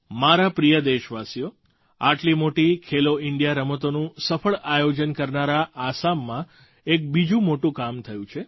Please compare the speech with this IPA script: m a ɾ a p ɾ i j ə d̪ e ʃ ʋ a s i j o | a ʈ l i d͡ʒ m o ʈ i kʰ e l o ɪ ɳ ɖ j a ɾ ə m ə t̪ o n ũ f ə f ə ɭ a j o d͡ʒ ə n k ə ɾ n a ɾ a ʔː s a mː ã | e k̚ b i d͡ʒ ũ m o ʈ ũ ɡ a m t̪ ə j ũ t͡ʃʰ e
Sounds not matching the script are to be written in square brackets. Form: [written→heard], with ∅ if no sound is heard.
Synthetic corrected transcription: m a ɾ a p ɾ i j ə d̪ e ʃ ʋ a s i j o | a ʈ l i [d͡ʒ→∅] m o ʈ i kʰ e l o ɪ ɳ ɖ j a ɾ ə m ə t̪ o n ũ [f→s] ə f ə ɭ a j o d͡ʒ ə n k ə ɾ n a ɾ a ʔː s a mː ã | e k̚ b i d͡ʒ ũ m o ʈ ũ [ɡ→k] a m [t̪→t̪ʰ] ə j ũ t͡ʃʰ e